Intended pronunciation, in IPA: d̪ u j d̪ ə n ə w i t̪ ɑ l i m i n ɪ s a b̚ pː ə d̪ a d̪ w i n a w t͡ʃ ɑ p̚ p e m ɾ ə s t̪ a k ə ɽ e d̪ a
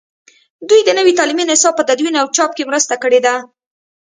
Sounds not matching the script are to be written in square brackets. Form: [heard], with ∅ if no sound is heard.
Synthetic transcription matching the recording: d̪ u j d̪ ə n ə w i t̪ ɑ l i m i n ɪ s [ɑ] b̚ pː ə d̪ a d̪ w i n a w t͡ʃ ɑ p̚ [k] e m ɾ ə s t̪ a k ə ɽ e d̪ a